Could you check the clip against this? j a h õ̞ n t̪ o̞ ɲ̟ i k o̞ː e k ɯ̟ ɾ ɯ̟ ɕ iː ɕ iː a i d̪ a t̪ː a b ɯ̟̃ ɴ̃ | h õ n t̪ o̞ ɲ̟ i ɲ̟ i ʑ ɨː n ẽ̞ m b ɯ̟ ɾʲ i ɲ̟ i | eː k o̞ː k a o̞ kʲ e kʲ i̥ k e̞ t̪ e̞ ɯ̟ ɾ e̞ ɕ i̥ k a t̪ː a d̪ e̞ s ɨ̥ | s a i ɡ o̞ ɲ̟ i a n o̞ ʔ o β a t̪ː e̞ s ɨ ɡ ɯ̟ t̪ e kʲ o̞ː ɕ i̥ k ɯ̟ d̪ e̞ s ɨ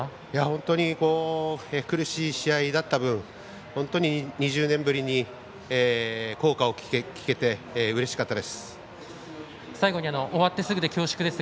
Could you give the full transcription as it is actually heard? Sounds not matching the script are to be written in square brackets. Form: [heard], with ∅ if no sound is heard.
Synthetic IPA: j a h õ̞ n t̪ o̞ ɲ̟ i k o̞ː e k ɯ̟ ɾ ɯ̟ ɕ iː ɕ [i] a i d̪ a t̪ː a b ɯ̟̃ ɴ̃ | h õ n t̪ o̞ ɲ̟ i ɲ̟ i ʑ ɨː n ẽ̞ m b ɯ̟ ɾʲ i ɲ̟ i | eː k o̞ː k a o̞ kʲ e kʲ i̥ k e̞ t̪ e̞ ɯ̟ ɾ e̞ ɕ i̥ k a t̪ː a d̪ e̞ s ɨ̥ | s a i ɡ o̞ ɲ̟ i a n o̞ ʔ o β a t̪ː e̞ s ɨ ɡ ɯ̟ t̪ e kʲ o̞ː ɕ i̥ k ɯ̟ d̪ e̞ s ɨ

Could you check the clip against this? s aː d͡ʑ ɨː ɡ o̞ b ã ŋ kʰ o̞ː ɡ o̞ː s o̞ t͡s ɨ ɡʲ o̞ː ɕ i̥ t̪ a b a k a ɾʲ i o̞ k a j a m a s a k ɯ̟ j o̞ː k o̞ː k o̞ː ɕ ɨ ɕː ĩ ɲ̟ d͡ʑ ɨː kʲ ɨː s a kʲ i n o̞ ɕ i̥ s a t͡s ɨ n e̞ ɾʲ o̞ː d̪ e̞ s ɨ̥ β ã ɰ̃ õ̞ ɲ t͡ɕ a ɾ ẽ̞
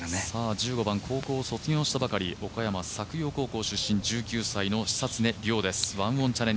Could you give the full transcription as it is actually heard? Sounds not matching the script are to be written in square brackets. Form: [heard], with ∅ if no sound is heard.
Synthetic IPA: s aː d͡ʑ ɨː ɡ o̞ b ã ŋ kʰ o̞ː [k] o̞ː s o̞ t͡s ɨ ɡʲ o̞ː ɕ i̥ t̪ a b a k a ɾʲ i o̞ k a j a m a s a k ɯ̟ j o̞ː k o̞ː k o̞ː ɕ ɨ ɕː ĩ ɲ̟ d͡ʑ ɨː kʲ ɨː s a [∅] i n o̞ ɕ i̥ s a t͡s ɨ n e̞ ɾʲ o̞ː d̪ e̞ s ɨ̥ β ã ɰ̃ õ̞ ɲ t͡ɕ a ɾ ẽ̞

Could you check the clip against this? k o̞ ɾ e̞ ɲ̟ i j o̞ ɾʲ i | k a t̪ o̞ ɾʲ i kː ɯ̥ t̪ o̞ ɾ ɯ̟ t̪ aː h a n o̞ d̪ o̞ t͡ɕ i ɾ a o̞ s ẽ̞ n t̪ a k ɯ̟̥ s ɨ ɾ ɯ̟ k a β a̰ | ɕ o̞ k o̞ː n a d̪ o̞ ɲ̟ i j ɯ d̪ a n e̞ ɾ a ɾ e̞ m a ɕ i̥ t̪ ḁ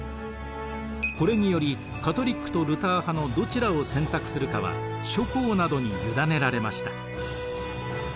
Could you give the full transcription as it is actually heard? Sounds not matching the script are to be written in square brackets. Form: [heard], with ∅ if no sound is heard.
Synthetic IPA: k o̞ ɾ e̞ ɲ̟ i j o̞ ɾʲ i | k a t̪ o̞ ɾʲ i kː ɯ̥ t̪ o̞ ɾ ɯ̟ t̪ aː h a n o̞ d̪ o̞ t͡ɕ i ɾ a o̞ s ẽ̞ n t̪ a k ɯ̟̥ s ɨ ɾ ɯ̟ k a β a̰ | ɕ o̞ k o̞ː n a d̪ o̞ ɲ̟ i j ɯ d̪ a n e̞ ɾ a ɾ e̞ m a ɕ i̥ t̪ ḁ

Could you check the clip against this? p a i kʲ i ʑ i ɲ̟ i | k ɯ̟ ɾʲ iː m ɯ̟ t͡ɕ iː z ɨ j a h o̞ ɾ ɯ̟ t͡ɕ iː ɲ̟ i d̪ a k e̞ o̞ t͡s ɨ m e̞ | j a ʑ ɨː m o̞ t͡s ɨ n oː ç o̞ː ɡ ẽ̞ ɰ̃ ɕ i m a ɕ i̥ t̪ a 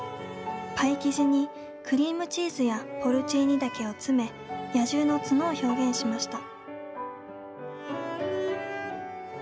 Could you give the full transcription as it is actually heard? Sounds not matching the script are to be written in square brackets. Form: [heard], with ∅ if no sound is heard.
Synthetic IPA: p a i kʲ i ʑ i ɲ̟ i | k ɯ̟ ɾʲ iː m ɯ̟ t͡ɕ iː z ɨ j a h o̞ ɾ ɯ̟ t͡ɕ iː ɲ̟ i d̪ a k e̞ o̞ t͡s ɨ m e̞ | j a ʑ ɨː [n] o̞ t͡s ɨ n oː ç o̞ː ɡ ẽ̞ ɰ̃ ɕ i m a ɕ i̥ t̪ a

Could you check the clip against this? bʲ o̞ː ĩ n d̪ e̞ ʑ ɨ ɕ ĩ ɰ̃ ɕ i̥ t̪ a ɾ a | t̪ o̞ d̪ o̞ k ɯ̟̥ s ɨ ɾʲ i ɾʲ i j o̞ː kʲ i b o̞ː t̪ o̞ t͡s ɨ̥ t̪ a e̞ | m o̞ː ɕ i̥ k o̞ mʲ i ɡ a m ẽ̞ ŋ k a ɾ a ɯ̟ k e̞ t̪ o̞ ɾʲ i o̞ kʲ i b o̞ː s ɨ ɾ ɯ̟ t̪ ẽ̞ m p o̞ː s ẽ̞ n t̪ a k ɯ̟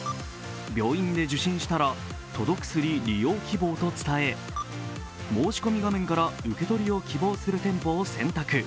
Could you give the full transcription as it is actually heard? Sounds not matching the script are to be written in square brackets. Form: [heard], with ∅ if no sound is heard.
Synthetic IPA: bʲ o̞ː ĩ n d̪ e̞ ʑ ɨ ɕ ĩ ɰ̃ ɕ i̥ t̪ a ɾ a | t̪ o̞ d̪ o̞ k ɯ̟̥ s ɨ ɾʲ i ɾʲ i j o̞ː kʲ i b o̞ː t̪ o̞ t͡s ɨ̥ t̪ a e̞ | m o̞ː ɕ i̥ k o̞ mʲ i ɡ a m ẽ̞ ŋ k a ɾ a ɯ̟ k e̞ t̪ o̞ ɾʲ i o̞ kʲ i b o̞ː s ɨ ɾ ɯ̟ t̪ ẽ̞ m p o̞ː s ẽ̞ n t̪ a k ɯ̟

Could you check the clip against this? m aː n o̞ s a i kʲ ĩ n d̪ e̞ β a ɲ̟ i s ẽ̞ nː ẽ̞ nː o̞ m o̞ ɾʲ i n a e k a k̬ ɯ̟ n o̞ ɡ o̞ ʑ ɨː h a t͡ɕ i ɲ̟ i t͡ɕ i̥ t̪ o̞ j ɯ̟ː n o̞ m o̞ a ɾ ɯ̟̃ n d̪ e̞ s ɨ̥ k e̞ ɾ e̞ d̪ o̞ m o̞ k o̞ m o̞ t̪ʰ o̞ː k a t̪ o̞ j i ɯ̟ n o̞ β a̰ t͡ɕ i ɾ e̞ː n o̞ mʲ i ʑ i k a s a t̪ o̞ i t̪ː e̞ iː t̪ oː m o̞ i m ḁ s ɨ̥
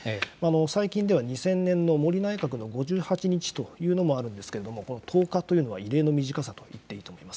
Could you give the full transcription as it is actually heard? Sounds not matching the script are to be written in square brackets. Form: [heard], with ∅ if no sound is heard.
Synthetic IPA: m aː n o̞ s a i kʲ ĩ n d̪ e̞ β a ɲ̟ i s ẽ̞ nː ẽ̞ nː o̞ m o̞ ɾʲ i n a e k a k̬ ɯ̟ n o̞ ɡ o̞ ʑ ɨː h a t͡ɕ i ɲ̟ i t͡ɕ i̥ t̪ o̞ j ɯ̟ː n o̞ m o̞ a ɾ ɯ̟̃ n d̪ e̞ s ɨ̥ k e̞ ɾ e̞ d̪ o̞ m o̞ k o̞ [n] o̞ t̪ʰ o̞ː k a t̪ o̞ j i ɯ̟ n o̞ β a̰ [∅] i ɾ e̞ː n o̞ mʲ i ʑ i k a s a t̪ o̞ i t̪ː e̞ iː t̪ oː m o̞ i m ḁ s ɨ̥

